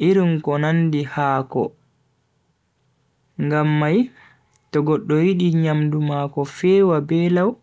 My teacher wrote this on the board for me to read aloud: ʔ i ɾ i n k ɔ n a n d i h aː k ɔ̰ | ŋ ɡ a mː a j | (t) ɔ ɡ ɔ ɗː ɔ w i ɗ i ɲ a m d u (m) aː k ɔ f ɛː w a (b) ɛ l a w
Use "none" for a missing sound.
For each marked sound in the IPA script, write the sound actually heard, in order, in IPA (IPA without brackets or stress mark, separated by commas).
t, m, b